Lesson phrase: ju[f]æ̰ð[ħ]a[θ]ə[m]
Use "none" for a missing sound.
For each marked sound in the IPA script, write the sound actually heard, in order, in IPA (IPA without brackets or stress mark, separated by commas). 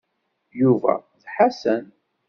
v, ħ, s, n